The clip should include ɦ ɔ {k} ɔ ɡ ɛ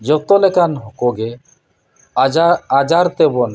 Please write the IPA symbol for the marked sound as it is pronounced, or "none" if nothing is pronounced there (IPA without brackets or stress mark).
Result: k